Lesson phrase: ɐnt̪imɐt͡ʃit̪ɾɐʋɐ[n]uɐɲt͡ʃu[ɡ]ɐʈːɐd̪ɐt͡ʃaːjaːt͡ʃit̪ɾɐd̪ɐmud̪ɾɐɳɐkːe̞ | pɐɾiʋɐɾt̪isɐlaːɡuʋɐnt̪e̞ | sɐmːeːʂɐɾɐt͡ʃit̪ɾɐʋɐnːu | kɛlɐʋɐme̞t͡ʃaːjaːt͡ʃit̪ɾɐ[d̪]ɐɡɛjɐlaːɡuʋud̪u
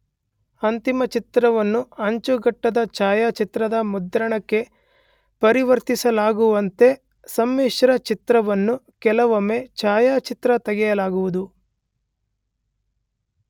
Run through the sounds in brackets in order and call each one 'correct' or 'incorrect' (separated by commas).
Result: incorrect, correct, incorrect